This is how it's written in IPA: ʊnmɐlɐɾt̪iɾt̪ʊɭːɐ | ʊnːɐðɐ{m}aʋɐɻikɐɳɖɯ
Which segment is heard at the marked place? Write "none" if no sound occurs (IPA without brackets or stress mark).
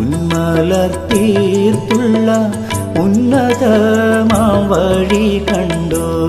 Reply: m